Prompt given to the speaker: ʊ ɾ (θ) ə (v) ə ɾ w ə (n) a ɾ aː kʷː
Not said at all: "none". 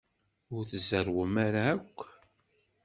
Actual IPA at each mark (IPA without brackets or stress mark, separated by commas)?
θ, z, m